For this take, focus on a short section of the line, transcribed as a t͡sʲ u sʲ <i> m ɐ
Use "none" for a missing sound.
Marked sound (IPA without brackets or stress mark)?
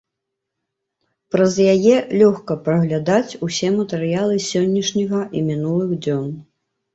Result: ɛ